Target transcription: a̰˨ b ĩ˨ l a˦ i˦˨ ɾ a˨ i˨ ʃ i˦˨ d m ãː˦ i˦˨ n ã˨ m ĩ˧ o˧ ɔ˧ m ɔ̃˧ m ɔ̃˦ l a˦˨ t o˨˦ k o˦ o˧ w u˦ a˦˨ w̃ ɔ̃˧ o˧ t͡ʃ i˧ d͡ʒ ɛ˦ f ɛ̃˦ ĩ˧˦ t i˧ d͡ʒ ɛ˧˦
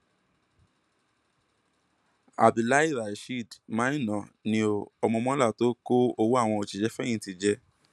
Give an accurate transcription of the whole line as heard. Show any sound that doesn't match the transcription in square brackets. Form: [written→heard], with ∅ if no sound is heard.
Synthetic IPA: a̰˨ b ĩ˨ l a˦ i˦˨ ɾ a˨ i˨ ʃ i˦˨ d m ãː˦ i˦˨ n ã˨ [m→n] ĩ˧ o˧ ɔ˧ m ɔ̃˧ m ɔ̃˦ l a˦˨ t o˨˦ k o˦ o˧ w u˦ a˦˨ w̃ ɔ̃˧ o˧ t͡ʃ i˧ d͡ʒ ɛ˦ f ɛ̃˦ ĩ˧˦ t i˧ d͡ʒ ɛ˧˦